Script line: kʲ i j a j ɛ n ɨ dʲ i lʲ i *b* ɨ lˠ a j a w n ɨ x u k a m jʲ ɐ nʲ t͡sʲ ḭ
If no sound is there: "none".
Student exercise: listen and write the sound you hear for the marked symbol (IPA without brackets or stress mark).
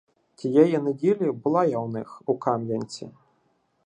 b